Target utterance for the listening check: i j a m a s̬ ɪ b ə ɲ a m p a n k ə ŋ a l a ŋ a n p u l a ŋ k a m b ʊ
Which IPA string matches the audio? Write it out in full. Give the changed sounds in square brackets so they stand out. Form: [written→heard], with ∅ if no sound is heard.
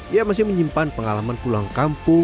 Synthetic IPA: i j a m a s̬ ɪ [b→m] ə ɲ [a→i] m p a n [k→p] ə ŋ a l a [ŋ→m] a n p u l a ŋ k a m [b→p] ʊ